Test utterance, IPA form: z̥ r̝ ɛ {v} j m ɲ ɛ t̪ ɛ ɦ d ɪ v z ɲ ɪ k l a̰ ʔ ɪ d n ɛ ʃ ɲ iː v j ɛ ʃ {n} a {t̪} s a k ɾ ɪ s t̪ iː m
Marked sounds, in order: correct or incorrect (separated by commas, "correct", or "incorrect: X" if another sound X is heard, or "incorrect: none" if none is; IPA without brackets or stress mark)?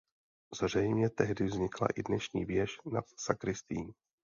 incorrect: none, correct, correct